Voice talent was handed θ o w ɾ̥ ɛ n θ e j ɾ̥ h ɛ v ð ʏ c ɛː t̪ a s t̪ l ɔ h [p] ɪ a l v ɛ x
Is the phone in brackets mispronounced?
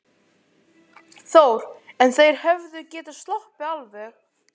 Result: no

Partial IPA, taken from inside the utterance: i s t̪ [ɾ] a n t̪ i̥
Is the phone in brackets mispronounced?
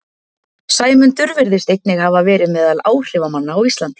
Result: yes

